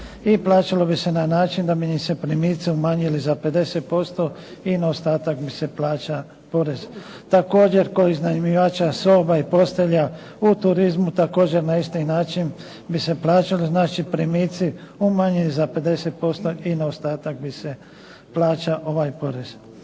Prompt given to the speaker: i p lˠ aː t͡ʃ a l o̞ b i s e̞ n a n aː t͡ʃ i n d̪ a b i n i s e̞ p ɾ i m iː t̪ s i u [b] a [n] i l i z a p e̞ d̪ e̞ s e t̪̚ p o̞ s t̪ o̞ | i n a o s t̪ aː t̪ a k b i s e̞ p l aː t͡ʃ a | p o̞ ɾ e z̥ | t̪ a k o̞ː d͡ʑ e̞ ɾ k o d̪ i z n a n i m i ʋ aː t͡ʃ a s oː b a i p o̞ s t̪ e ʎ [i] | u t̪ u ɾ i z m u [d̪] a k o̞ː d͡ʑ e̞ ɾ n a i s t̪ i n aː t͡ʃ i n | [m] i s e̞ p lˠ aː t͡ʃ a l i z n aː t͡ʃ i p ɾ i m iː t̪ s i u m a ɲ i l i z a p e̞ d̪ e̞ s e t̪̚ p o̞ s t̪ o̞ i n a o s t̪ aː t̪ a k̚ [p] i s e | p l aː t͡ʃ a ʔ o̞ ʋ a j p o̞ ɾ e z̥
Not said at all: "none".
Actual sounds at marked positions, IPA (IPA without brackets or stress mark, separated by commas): m, ɲ, a, t̪, b, b